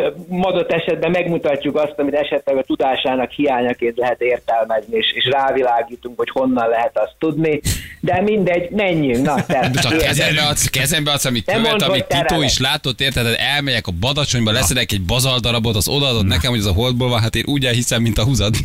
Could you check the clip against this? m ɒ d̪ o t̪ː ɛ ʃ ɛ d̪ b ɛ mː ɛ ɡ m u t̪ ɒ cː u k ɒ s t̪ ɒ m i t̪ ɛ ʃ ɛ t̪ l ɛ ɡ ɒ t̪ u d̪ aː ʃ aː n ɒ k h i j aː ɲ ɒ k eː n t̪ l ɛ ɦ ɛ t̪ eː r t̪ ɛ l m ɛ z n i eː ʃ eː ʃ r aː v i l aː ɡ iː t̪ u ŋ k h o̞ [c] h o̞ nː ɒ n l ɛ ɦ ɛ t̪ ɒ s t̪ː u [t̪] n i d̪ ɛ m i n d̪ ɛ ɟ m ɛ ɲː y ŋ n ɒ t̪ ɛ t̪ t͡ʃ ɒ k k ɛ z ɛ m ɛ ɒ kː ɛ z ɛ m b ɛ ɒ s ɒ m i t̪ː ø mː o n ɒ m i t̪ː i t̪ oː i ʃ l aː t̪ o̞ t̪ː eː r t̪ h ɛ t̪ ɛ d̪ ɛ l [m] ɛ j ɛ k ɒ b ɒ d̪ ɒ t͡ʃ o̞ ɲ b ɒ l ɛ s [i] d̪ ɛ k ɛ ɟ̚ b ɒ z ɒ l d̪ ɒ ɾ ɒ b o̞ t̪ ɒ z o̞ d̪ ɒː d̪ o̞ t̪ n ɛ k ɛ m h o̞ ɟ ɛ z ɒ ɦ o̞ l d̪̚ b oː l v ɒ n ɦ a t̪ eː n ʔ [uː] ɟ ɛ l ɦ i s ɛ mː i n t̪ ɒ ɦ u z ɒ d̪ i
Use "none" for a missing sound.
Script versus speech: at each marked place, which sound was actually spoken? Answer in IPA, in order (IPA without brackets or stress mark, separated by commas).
c, d̪, m, ɛ, uː